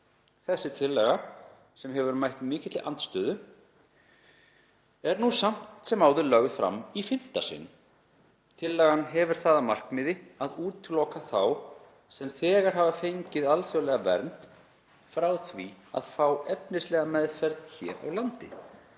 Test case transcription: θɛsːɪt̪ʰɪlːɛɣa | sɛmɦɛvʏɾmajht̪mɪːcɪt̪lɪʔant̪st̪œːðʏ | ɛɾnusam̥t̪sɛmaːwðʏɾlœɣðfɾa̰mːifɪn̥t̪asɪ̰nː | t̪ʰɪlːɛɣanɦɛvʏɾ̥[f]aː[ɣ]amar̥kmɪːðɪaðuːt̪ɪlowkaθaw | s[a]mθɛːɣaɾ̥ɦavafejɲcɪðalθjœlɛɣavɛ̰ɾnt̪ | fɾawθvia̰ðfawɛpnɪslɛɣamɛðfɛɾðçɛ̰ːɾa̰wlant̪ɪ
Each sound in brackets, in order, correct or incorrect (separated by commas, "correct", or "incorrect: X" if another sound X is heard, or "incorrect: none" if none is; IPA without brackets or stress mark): incorrect: θ, incorrect: ð, incorrect: ɛ